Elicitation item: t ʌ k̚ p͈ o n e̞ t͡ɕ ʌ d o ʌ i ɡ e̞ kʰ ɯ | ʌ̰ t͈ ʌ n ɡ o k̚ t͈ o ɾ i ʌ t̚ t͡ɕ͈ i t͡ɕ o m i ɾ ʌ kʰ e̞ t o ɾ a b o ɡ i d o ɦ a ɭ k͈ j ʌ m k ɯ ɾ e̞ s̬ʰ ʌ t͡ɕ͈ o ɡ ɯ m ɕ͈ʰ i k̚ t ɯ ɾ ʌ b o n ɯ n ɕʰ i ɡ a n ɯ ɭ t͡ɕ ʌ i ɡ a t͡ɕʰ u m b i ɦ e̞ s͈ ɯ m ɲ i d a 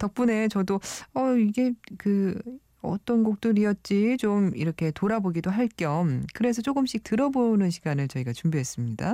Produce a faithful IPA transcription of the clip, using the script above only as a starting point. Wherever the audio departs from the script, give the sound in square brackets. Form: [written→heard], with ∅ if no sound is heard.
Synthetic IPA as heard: t ʌ k̚ p͈ [o→u] n e̞ t͡ɕ ʌ d o ʌ i ɡ e̞ [kʰ→k] ɯ | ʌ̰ t͈ ʌ n ɡ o k̚ t͈ o ɾ i ʌ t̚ t͡ɕ͈ i t͡ɕ o m i ɾ ʌ kʰ e̞ t o ɾ a b o ɡ i d o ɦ a ɭ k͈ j ʌ m k ɯ ɾ e̞ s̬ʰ ʌ t͡ɕ͈ o ɡ ɯ m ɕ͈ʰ i k̚ t ɯ ɾ ʌ b o n ɯ n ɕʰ i ɡ a n ɯ ɭ t͡ɕ ʌ i ɡ a [t͡ɕʰ→t͡ɕ] u m b i ɦ e̞ s͈ ɯ m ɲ i d a